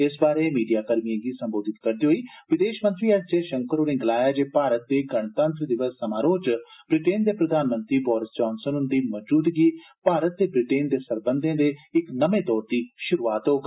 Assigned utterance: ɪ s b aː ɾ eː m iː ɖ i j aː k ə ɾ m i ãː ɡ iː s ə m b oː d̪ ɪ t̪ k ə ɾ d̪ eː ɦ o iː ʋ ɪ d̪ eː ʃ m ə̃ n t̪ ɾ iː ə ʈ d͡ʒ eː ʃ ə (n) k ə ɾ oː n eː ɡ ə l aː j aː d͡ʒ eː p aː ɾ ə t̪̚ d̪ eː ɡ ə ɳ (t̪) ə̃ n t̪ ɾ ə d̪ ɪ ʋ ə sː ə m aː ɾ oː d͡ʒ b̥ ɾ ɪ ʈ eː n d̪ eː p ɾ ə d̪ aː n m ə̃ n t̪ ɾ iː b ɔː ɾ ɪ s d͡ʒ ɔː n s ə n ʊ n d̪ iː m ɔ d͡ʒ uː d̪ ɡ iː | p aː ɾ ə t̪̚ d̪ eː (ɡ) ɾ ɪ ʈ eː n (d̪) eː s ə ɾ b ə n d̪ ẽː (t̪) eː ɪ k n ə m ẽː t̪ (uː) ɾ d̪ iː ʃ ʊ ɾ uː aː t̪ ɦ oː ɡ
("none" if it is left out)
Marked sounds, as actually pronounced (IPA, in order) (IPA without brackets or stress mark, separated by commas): ŋ, t̪, b, d̪, d̪, ɔː